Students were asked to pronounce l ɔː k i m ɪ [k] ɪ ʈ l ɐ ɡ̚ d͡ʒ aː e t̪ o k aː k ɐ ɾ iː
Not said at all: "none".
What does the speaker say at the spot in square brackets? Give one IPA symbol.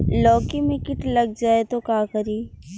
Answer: k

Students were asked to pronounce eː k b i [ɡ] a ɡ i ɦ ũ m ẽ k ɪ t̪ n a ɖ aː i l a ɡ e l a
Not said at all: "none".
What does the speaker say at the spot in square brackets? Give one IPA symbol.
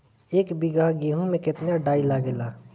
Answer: ɡ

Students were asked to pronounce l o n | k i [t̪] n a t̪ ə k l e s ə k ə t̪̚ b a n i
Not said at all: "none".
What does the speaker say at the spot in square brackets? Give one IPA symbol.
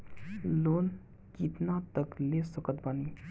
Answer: t̪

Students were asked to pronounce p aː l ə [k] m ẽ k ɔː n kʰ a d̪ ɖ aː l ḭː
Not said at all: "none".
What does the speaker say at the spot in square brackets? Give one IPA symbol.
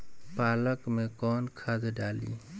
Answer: k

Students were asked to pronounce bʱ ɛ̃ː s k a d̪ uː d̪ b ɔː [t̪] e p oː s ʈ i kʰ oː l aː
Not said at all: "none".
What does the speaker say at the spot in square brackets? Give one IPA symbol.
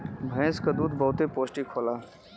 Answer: t̪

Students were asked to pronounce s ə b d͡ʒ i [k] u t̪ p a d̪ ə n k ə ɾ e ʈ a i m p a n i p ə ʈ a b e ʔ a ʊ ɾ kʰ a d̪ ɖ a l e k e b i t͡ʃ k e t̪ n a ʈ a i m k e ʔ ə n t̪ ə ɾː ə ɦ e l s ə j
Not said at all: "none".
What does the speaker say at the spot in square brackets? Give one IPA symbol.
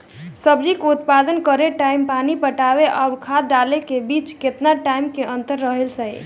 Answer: k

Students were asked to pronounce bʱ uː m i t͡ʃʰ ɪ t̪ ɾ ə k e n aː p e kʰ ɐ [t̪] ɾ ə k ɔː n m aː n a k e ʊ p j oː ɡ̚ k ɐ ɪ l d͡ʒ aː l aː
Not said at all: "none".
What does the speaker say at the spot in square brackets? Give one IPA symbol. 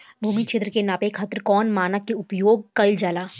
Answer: t̪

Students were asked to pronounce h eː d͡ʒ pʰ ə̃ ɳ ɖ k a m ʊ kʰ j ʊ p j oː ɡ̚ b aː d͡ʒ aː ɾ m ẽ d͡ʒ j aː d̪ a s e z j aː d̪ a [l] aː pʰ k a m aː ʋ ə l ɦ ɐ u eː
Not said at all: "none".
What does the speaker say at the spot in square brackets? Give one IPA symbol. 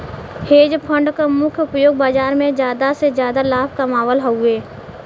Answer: l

